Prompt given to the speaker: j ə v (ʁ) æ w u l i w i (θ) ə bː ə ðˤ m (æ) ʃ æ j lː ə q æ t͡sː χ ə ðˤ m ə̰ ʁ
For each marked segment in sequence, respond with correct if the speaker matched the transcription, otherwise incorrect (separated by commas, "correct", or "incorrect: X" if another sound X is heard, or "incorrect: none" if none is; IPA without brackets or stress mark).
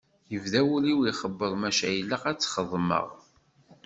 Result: incorrect: ð, incorrect: χ, correct